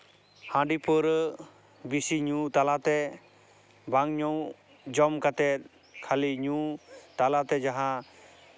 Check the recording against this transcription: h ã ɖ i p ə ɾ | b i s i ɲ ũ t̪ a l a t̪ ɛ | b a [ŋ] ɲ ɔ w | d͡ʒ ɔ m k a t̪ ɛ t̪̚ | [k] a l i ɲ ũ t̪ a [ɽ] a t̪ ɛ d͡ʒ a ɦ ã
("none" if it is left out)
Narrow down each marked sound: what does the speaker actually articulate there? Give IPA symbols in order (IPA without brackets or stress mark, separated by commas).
ŋ, kʰ, l